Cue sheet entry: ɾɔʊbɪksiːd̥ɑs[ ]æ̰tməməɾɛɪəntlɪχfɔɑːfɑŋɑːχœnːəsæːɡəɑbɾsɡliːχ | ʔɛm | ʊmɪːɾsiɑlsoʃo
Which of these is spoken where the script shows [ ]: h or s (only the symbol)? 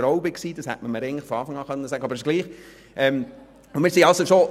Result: h